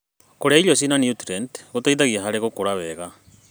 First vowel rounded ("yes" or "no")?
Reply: yes